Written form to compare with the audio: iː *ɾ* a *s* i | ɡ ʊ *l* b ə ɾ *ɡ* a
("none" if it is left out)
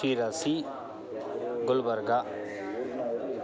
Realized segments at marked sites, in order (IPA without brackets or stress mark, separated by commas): ɾ, s, l, ɡ